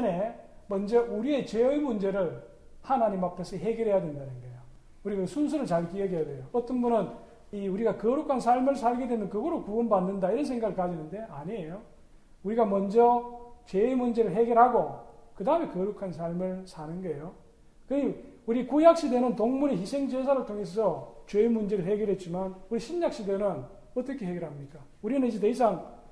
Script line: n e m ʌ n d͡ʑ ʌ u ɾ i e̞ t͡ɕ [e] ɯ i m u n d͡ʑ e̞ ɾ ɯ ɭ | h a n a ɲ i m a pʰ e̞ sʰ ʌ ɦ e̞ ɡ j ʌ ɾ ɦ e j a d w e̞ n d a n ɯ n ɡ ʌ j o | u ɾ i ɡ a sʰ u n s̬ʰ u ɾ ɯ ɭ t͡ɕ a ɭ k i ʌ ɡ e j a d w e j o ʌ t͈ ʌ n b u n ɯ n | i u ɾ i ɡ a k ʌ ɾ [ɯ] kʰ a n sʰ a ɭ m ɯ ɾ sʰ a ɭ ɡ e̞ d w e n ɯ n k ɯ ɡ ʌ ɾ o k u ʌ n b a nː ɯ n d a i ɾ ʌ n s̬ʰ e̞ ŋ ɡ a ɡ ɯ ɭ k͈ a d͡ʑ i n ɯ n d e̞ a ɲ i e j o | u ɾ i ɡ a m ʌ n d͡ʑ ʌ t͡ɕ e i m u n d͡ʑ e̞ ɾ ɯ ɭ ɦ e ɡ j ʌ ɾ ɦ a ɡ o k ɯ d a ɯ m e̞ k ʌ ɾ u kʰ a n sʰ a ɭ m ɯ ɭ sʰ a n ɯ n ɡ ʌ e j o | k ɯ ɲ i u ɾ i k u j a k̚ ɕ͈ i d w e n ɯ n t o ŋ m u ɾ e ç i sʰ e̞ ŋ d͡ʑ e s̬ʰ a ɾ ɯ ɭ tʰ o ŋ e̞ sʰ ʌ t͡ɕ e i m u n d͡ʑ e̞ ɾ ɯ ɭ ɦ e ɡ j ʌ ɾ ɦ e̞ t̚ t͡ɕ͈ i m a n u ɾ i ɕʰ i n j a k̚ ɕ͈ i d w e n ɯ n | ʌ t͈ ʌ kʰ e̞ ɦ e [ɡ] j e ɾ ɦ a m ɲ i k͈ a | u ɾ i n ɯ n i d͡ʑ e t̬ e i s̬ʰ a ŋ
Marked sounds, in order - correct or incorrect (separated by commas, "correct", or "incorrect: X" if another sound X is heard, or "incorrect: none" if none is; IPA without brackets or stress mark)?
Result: correct, incorrect: u, correct